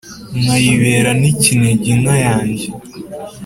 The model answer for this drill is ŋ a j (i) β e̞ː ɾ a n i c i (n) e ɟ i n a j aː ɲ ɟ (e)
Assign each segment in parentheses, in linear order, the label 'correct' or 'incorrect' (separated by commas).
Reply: correct, correct, correct